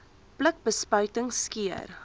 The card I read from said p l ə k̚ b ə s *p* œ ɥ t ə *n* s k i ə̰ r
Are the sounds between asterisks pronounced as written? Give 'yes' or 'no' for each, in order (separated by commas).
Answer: yes, no